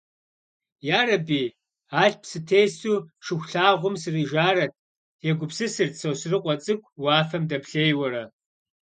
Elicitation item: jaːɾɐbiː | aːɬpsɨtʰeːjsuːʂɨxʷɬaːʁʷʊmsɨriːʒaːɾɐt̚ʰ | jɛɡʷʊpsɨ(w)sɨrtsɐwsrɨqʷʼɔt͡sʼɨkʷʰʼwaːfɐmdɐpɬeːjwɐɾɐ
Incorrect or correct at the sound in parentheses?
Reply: incorrect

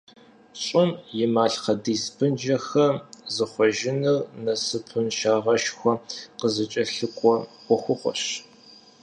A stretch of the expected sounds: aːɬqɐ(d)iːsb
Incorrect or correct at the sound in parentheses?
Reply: correct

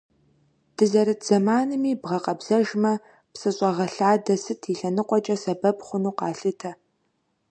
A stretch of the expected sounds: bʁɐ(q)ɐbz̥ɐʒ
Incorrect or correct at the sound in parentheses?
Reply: correct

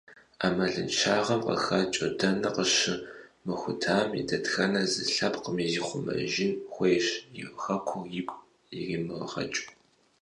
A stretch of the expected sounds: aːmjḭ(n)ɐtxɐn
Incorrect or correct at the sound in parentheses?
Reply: incorrect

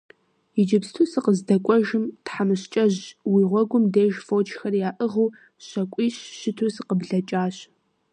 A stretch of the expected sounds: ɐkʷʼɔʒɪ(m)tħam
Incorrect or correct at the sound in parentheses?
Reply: correct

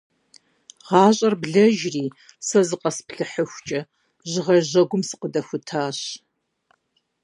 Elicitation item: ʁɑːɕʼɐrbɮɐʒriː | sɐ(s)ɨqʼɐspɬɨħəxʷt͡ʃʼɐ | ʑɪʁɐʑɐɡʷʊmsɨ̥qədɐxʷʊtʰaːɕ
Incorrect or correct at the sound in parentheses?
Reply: incorrect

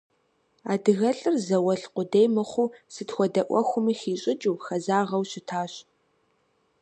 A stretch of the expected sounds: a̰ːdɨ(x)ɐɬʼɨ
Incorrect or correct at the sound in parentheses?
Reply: incorrect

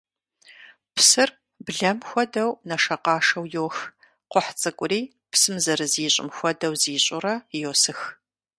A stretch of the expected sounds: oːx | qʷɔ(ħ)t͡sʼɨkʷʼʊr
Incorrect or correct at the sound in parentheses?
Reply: correct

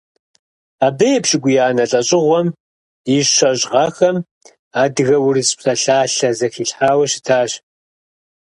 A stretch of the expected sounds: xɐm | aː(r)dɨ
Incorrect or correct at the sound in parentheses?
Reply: incorrect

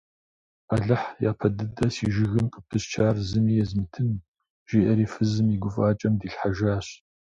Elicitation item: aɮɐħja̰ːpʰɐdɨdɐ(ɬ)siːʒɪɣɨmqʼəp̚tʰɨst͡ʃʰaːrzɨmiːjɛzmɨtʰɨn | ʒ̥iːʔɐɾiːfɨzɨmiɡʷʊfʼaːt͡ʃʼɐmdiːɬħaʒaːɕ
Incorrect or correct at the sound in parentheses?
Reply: incorrect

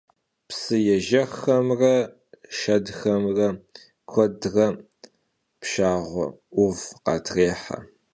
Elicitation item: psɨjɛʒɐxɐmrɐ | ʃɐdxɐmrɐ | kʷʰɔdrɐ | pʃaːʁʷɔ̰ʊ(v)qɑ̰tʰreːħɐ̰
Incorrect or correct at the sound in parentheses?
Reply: correct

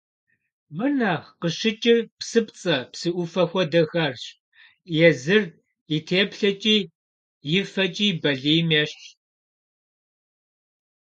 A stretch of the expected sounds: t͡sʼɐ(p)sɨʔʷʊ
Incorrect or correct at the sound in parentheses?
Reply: correct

